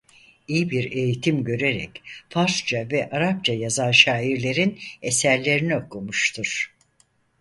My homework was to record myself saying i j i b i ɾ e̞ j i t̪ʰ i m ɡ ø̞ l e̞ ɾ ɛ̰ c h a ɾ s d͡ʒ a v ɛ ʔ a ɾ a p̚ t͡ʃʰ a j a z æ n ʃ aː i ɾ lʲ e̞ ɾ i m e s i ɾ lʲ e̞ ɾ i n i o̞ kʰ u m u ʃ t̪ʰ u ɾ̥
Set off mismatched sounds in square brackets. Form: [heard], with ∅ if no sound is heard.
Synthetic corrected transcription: i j i b i ɾ e̞ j i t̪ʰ i m [ɟ] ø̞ [ɾ] e̞ ɾ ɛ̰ c [f] a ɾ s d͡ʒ a v ɛ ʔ a ɾ a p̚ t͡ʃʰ a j a z [a] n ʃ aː i ɾ lʲ e̞ ɾ i [n] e s [æ] ɾ lʲ e̞ ɾ i n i o̞ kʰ u m u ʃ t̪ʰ u ɾ̥